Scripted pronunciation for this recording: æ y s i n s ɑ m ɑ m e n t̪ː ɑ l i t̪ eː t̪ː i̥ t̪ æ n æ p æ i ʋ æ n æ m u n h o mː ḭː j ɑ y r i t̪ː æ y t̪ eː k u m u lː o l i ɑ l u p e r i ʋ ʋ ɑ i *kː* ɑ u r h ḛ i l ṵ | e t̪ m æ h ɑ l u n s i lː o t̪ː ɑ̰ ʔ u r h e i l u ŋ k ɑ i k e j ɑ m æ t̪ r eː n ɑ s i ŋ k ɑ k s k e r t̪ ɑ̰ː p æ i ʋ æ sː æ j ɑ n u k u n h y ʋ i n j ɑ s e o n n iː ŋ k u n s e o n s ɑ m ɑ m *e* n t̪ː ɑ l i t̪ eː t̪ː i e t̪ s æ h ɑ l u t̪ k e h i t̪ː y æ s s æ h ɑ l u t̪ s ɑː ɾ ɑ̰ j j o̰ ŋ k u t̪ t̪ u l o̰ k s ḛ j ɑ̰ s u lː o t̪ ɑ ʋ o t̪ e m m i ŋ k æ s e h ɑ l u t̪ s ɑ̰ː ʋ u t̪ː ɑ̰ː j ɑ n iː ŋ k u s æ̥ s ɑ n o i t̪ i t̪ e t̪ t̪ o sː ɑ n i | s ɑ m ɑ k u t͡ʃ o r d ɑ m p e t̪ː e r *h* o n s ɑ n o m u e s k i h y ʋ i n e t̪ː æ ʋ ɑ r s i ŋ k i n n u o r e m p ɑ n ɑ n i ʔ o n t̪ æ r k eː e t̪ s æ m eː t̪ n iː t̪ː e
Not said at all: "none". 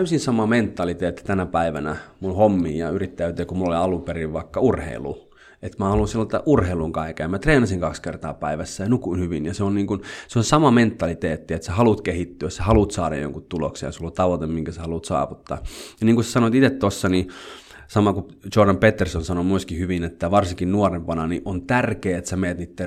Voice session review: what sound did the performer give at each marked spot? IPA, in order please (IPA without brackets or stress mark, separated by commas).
kː, e, s